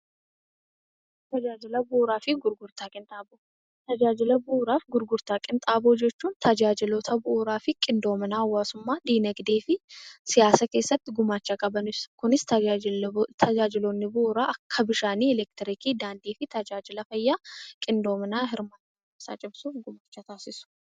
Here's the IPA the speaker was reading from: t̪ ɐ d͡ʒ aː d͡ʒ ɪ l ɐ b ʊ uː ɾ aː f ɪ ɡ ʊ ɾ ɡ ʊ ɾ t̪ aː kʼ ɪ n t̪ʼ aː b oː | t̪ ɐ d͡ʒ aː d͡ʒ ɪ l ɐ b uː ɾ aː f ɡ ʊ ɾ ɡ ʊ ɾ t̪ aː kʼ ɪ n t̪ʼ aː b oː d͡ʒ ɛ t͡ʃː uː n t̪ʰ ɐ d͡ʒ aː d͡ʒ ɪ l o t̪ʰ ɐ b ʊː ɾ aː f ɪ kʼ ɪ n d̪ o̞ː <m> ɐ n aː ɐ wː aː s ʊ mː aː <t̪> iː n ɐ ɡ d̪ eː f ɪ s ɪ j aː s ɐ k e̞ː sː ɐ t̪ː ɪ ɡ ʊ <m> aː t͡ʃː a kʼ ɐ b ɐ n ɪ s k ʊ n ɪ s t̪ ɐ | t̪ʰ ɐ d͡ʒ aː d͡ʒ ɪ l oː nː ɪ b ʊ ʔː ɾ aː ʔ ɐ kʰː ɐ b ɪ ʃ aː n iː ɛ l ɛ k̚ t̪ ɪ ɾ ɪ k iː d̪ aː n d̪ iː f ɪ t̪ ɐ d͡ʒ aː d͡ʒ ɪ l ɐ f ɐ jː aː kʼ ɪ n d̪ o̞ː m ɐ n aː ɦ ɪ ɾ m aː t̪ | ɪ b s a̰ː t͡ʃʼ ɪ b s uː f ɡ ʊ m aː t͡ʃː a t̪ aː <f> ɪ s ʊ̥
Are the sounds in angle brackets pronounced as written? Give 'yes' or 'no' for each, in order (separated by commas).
yes, no, yes, no